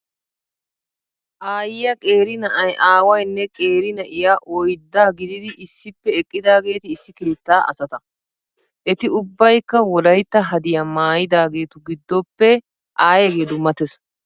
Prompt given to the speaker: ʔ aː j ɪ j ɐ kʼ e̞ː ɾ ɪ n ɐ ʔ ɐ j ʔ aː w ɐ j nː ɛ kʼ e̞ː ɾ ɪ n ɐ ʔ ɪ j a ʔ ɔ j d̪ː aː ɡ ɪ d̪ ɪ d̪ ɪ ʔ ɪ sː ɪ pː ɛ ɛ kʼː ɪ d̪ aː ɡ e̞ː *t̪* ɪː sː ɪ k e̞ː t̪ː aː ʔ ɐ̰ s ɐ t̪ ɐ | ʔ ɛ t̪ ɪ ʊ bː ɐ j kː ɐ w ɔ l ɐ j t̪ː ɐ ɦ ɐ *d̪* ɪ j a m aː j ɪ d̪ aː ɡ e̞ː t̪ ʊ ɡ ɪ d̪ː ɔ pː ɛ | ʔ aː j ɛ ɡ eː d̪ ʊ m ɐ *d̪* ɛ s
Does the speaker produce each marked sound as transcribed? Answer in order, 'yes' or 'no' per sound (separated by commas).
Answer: yes, yes, no